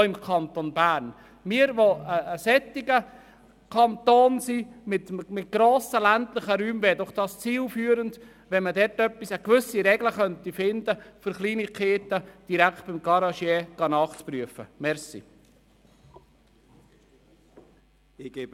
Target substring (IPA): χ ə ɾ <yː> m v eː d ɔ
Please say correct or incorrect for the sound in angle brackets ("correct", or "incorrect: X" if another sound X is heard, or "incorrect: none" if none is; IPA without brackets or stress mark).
correct